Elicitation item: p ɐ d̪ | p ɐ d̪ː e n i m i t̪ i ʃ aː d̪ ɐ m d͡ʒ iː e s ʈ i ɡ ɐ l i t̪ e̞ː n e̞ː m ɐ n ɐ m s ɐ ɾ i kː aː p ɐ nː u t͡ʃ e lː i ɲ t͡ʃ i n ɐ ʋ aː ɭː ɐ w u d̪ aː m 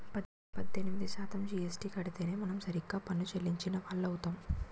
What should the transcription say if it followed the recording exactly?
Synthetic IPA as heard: p ɐ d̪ | p ɐ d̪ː e n i m i d̪ i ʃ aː t̪ ɐ m d͡ʒ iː e s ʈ i k ɐ ɽ i t̪ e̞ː n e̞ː m ɐ n ɐ m s ɐ ɾ i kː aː p ɐ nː u t͡ʃ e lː i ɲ t͡ʃ i n ɐ ʋ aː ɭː ɐ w u t̪ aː m